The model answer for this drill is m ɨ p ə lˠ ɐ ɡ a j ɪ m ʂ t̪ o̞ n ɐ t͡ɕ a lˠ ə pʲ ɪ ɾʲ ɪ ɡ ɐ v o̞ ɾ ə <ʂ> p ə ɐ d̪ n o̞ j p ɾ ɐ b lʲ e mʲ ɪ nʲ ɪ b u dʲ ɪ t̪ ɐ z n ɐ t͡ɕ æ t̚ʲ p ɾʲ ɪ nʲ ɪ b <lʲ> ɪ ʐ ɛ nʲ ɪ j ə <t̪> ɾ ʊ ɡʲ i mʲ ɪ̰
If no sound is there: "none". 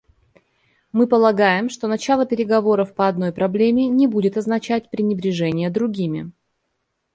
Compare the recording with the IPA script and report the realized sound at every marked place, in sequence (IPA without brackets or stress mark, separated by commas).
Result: f, ɾʲ, d̪